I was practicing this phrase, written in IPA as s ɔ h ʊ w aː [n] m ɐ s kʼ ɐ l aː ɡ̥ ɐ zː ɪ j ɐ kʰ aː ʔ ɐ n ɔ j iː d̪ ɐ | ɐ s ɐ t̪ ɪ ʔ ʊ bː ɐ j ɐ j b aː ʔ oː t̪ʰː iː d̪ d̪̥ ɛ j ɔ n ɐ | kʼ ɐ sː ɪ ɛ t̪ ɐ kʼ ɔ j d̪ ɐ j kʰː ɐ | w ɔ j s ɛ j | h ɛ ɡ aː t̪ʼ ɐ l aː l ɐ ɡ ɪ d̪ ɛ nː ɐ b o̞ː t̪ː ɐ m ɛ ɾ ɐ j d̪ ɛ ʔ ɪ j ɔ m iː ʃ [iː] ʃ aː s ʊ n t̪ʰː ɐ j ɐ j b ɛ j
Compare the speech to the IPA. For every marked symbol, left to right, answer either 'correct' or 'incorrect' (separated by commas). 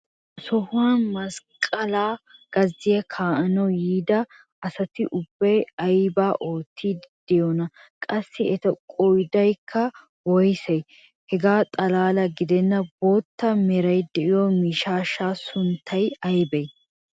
correct, incorrect